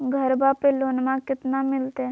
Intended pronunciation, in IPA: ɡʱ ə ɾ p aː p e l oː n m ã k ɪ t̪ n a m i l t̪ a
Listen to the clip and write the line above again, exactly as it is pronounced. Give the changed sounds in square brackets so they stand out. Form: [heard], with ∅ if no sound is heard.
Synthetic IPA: ɡʱ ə ɾ [b] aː p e l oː n m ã k ɪ t̪ n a m [ɪ] l t̪ [e]